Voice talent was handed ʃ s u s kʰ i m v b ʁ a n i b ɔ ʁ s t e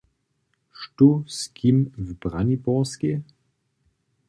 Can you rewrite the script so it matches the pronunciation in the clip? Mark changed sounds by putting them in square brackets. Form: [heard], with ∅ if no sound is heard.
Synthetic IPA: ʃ [t] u s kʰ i m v b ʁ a n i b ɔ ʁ s [k] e